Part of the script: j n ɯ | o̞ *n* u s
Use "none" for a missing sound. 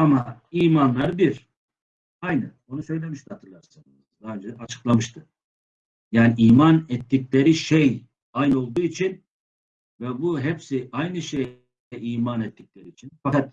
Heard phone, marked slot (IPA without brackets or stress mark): n